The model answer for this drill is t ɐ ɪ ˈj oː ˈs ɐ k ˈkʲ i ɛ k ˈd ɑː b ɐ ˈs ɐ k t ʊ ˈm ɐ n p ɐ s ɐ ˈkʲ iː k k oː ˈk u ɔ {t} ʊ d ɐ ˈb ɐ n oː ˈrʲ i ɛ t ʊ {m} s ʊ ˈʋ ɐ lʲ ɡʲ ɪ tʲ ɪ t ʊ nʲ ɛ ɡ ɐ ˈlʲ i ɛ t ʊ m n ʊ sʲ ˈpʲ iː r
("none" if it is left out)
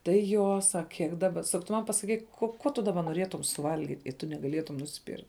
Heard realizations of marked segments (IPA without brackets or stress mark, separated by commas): t, m